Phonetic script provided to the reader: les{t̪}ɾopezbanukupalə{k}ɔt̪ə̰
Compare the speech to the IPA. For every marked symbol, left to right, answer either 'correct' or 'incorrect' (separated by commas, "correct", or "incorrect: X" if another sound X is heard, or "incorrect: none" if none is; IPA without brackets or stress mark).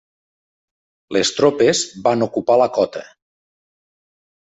correct, correct